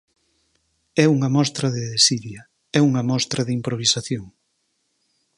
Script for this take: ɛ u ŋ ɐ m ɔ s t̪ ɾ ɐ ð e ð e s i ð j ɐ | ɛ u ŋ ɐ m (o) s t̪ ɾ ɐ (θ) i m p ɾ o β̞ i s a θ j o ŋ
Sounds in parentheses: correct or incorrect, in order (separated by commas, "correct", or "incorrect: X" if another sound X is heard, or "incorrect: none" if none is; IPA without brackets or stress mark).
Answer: incorrect: ɔ, incorrect: ð